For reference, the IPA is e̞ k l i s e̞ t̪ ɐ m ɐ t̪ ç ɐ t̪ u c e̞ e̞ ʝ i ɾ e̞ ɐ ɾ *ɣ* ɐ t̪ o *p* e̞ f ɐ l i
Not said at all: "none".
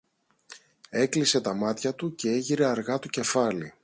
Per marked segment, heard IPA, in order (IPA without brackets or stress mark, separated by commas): ɣ, c